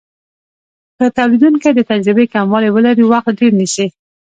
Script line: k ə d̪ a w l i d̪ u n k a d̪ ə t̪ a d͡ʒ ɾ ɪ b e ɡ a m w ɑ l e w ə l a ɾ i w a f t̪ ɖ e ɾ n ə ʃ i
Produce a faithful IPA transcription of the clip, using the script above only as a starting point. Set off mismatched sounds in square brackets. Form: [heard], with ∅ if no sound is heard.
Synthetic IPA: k ə [t̪] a w l i d̪ u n k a d̪ ə t̪ a d͡ʒ ɾ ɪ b e [k] a m w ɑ l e w ə l a ɾ i w a [x] t̪ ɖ e ɾ n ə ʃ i